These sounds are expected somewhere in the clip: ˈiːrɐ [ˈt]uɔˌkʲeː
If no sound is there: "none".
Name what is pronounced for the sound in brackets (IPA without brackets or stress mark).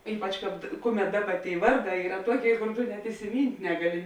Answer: t